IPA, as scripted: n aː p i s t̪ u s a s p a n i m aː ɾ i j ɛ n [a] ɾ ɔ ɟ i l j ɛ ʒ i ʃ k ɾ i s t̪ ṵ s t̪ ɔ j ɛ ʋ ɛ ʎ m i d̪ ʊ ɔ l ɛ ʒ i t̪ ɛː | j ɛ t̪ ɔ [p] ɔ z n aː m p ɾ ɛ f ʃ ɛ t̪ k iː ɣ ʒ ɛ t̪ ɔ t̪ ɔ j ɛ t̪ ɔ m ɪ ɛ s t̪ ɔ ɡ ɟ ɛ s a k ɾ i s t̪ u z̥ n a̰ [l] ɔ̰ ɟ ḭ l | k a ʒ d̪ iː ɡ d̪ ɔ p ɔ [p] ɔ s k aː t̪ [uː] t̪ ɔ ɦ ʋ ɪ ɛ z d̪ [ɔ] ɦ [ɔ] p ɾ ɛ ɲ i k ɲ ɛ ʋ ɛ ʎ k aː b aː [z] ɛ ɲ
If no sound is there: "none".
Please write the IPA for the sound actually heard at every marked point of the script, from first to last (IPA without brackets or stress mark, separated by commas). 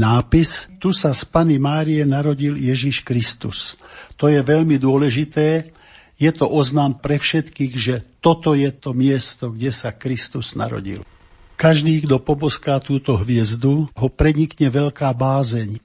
a, ʔ, ɾ, b, uː, u, ɔ, z